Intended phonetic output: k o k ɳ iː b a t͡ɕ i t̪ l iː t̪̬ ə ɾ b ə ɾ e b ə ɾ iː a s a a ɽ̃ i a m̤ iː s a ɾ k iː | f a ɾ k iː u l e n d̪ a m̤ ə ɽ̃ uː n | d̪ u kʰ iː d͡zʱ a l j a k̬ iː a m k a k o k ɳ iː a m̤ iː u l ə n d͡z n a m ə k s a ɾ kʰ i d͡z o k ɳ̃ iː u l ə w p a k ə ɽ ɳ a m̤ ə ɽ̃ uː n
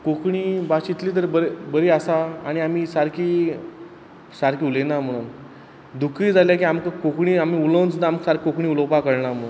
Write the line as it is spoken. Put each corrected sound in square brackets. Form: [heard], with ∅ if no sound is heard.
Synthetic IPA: k o k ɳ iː b a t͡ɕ i t̪ l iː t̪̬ ə ɾ b ə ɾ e b ə ɾ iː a s a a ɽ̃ i a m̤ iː s a ɾ k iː | [s] a ɾ k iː u l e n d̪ a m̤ ə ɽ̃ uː n | d̪ u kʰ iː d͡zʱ a l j a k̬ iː a m k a k o k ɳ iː a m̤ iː u l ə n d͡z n a m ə k s a ɾ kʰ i [∅] o k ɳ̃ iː u l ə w p a k ə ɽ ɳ a m̤ ə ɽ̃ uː n